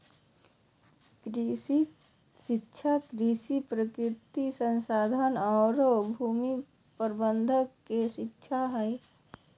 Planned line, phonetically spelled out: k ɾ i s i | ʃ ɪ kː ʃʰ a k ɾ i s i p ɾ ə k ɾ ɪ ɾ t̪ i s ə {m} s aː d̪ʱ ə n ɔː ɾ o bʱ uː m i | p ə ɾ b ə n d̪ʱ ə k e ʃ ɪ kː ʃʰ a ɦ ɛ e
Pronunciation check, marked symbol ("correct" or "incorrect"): incorrect